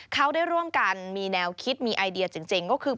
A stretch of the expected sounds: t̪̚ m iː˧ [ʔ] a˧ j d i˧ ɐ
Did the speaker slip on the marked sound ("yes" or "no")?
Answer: no